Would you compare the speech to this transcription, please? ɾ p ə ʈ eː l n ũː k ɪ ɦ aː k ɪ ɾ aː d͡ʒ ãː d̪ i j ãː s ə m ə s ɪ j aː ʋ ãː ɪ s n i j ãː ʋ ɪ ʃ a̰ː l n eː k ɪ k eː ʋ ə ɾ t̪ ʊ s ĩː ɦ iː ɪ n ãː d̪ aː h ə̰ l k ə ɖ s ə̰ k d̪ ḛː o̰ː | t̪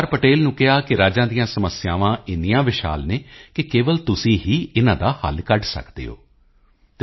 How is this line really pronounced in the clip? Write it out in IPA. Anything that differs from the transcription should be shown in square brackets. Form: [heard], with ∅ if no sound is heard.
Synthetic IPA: ɾ p ə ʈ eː l n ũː k ɪ ɦ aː k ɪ ɾ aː d͡ʒ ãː d̪ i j ãː s ə m ə s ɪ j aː ʋ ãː ɪ [∅] n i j ãː ʋ ɪ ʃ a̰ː l n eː k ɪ k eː ʋ ə [l] t̪ ʊ s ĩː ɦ iː ɪ n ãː d̪ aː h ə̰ l k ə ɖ s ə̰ k d̪ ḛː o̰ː | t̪

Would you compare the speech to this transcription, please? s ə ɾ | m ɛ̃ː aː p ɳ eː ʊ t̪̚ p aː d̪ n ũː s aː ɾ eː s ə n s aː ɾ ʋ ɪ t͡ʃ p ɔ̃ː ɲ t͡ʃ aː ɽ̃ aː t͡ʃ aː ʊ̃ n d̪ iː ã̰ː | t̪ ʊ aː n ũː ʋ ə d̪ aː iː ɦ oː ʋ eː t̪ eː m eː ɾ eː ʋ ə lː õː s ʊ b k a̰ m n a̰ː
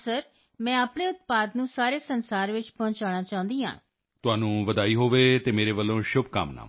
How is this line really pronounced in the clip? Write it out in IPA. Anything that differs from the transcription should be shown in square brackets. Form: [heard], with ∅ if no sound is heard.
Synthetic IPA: s ə ɾ | m ɛ̃ː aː p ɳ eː ʊ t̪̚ p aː d̪ n ũː s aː ɾ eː s ə n s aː ɾ ʋ ɪ t͡ʃ p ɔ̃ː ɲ t͡ʃ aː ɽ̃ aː t͡ʃ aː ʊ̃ n d̪ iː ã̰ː | t̪ ʊ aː n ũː ʋ ə d̪ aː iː ɦ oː ʋ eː t̪ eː m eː ɾ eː ʋ ə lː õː [ʃ] ʊ b k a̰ m n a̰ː

